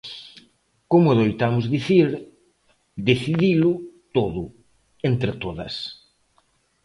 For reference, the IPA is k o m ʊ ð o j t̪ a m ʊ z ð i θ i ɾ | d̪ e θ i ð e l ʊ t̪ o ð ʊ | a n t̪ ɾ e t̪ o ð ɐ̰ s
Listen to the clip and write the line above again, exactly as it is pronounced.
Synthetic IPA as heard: k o m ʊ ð o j t̪ a m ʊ z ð i θ i ɾ | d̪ e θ i ð i l ʊ t̪ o ð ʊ | e n t̪ ɾ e t̪ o ð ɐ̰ s